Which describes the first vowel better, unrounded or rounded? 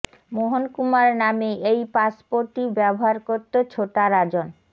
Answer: rounded